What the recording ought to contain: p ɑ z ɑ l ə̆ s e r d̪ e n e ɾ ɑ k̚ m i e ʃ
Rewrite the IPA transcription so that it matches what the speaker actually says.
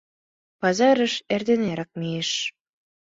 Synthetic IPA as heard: p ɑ z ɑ ɾ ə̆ ʃ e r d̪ e n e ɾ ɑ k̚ m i e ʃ